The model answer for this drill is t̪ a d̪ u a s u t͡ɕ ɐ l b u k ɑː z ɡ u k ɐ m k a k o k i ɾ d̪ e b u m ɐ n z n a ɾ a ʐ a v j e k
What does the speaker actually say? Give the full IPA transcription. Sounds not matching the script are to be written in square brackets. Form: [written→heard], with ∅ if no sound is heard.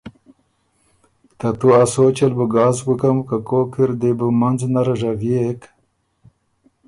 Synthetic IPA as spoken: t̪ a [d̪→t̪] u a s [u→o] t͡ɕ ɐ l b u [k→ɡ] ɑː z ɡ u k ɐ m k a k o k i ɾ d̪ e b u m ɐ n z n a ɾ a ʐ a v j e k